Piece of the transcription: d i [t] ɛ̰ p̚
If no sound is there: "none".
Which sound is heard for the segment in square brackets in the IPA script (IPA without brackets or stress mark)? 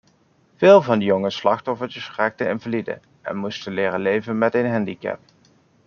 k